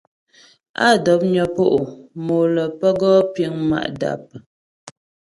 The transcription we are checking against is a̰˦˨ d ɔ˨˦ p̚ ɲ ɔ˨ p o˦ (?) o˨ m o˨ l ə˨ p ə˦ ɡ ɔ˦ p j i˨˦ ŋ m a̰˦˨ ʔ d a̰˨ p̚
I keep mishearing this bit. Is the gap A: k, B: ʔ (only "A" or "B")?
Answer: B